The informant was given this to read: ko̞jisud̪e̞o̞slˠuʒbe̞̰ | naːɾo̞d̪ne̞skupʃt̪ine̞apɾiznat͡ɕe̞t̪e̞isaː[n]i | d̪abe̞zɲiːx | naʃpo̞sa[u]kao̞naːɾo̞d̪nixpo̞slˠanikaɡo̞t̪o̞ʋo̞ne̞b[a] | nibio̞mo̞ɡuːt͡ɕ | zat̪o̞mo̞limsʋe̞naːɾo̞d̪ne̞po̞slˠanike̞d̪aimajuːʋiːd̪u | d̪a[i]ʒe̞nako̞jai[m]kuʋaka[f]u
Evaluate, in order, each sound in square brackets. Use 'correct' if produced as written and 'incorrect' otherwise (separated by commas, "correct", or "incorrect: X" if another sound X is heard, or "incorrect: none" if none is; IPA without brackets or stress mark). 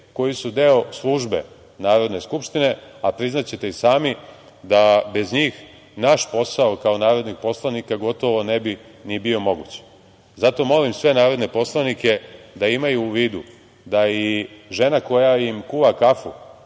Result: incorrect: m, incorrect: o, incorrect: i, correct, correct, correct